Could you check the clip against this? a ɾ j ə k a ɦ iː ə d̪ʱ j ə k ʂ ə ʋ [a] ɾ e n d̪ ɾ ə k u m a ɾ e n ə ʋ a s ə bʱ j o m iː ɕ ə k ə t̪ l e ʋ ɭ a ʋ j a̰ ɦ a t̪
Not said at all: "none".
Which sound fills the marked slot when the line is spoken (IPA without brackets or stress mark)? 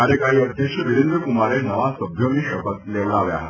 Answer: i